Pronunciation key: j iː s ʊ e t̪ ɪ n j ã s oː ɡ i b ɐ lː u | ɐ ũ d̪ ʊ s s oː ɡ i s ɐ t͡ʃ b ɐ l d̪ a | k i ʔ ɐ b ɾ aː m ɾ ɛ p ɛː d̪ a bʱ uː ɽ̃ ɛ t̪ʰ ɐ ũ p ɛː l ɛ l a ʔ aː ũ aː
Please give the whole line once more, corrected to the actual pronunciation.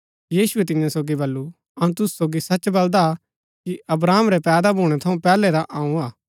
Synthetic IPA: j iː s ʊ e t̪ ɪ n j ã s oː ɡ i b ɐ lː u | ɐ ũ t̪ ʊ s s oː ɡ i s ɐ t͡ʃ b ɐ l d̪ a | k i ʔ ɐ b ɾ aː m ɾ ɛ p ɛː d̪ a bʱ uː ɽ̃ ɛ t̪ʰ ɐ ũ p ɛː l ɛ ɾ a ʔ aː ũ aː